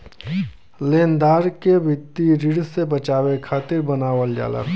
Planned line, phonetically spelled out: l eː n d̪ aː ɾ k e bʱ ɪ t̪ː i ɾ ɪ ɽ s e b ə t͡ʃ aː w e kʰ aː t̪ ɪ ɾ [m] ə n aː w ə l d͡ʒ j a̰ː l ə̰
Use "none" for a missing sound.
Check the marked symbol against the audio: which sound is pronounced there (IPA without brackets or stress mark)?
b